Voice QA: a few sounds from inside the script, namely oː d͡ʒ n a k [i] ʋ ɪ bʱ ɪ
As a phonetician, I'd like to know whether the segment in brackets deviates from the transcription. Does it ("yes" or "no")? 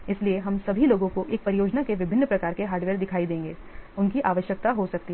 yes